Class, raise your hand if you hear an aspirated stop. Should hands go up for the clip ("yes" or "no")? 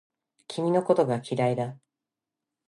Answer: no